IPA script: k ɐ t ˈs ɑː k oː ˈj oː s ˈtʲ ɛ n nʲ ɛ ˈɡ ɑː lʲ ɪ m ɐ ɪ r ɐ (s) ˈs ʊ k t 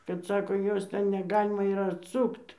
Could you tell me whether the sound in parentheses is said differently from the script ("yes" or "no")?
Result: yes